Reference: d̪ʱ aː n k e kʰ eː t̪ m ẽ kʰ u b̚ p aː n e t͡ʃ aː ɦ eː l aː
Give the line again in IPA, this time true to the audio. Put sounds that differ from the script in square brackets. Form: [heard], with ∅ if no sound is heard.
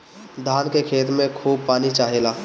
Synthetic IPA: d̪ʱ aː n k e kʰ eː t̪ m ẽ kʰ [uː] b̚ p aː n [i] t͡ʃ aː ɦ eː l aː